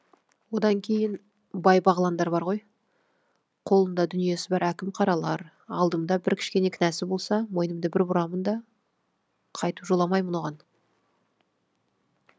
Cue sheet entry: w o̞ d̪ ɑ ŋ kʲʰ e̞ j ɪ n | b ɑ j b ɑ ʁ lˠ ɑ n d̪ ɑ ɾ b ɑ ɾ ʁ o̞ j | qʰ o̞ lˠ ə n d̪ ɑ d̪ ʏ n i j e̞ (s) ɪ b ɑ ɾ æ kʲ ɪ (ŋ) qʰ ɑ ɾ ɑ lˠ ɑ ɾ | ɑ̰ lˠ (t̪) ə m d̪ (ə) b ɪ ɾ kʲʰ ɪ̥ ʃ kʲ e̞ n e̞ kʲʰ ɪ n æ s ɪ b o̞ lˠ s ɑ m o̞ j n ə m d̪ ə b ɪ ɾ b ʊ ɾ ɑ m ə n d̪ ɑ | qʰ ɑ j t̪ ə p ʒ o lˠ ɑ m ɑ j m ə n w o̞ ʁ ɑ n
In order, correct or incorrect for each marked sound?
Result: correct, incorrect: m, incorrect: d̪, incorrect: ɑ

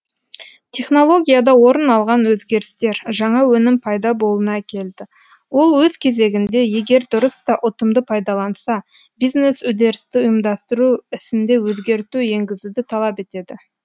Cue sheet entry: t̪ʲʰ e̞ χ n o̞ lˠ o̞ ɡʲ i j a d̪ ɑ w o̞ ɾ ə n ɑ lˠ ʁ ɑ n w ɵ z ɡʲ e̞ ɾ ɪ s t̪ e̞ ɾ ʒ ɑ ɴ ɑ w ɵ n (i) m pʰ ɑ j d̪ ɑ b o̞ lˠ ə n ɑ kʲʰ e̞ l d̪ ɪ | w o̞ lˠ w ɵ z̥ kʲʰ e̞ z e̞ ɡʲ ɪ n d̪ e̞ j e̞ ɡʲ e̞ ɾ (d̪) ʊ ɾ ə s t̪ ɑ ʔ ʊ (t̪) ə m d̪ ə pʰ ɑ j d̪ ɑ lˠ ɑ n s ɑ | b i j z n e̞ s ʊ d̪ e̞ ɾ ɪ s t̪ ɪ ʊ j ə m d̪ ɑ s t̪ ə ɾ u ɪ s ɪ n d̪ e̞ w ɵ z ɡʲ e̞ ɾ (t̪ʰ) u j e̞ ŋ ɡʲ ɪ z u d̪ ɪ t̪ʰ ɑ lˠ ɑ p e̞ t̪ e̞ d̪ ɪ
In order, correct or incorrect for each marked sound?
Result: incorrect: ɪ, correct, correct, incorrect: t̪

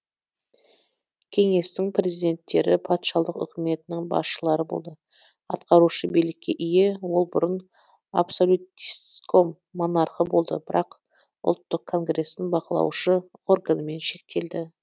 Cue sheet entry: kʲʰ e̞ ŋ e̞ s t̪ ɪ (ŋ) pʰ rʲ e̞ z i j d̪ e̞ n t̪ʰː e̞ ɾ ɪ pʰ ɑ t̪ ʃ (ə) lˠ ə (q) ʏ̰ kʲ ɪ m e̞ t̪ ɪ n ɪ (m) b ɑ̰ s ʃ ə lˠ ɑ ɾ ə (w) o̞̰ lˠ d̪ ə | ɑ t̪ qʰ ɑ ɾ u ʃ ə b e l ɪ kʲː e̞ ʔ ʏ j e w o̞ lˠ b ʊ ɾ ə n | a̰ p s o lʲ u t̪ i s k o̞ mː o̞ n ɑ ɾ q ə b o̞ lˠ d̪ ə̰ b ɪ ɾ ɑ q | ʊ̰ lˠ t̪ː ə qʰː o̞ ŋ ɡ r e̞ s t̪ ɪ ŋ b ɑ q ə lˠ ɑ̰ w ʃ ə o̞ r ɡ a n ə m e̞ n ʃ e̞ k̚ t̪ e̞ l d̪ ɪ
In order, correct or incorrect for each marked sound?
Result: correct, incorrect: ɑ, correct, incorrect: ŋ, incorrect: b

